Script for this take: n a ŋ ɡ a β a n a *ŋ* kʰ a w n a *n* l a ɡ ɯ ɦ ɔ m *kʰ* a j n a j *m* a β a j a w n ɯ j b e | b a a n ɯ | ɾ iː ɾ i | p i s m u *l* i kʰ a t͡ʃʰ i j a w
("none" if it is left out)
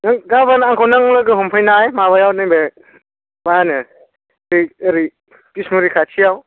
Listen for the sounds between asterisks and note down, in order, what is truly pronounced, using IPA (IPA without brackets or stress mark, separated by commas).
ŋ, ŋ, pʰ, m, ɾ